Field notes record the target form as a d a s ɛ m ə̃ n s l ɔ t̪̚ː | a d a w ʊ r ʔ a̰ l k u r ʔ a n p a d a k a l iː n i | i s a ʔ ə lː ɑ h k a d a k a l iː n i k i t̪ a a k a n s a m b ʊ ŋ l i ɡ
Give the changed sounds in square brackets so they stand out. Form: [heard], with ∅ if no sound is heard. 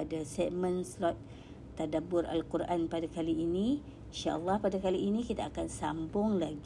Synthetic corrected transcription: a d a s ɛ m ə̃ n s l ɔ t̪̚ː | a d a [b] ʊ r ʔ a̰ l k u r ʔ a n p a d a k a l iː n i | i [ʃ] a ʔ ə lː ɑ h [p] a d a k a l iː n i k i t̪ a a k a n s a m b ʊ ŋ l [a] ɡ